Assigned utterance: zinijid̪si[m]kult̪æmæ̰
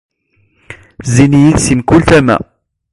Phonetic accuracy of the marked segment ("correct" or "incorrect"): correct